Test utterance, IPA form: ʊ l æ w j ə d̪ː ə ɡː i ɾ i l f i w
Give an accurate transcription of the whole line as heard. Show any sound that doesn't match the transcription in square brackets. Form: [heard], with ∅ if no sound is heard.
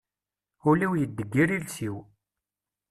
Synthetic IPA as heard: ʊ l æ w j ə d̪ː ə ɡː i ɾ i l [s] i w